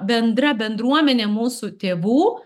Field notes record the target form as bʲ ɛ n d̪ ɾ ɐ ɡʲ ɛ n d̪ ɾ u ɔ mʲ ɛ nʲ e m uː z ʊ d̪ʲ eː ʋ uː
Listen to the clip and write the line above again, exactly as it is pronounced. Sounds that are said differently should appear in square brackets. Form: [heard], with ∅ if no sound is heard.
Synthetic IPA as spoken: bʲ ɛ n d̪ ɾ ɐ [bʲ] ɛ n d̪ ɾ u ɔ mʲ ɛ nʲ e m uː [s] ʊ [t̪ʲ] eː ʋ uː